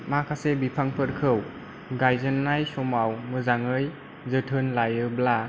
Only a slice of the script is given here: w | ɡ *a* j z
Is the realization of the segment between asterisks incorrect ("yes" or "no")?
no